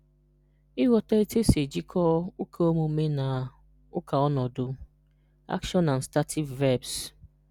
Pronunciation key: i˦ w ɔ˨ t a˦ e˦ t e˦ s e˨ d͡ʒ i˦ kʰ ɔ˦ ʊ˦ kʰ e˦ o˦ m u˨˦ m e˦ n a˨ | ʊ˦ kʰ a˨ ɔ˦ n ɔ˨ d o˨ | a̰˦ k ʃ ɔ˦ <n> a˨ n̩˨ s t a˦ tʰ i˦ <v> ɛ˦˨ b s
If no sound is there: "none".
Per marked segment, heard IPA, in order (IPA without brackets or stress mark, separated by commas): n, v